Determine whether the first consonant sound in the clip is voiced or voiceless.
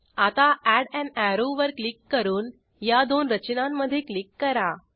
voiceless